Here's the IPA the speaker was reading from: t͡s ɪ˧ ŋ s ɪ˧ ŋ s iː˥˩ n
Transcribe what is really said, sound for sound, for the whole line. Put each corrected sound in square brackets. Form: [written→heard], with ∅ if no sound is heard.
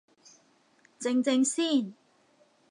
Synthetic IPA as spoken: t͡s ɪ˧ ŋ [s→t͡s] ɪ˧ ŋ s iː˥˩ n